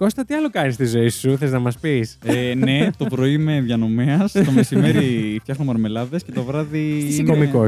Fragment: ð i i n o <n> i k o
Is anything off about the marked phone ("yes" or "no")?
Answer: yes